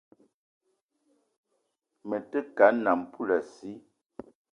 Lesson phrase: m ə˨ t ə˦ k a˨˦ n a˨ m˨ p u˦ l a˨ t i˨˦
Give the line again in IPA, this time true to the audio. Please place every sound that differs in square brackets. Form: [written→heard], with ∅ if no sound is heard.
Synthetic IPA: m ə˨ t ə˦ k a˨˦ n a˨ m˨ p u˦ l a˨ [t→s] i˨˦